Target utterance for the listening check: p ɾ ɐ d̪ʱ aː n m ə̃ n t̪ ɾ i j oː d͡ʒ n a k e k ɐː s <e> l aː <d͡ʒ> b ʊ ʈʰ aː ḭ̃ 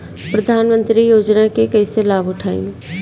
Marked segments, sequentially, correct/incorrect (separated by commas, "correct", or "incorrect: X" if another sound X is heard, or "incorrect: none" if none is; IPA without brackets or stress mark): correct, incorrect: none